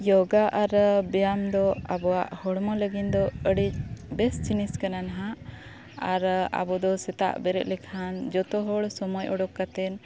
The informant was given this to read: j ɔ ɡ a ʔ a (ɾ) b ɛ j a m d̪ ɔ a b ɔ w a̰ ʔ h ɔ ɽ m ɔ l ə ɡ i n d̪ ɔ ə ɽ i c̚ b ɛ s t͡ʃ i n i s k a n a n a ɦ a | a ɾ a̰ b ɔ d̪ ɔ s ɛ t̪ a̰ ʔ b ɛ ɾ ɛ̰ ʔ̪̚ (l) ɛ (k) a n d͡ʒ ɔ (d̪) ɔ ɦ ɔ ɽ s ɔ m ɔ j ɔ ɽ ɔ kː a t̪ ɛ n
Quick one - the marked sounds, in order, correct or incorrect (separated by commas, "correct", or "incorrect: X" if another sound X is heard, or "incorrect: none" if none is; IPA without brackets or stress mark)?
correct, correct, incorrect: kʰ, incorrect: t̪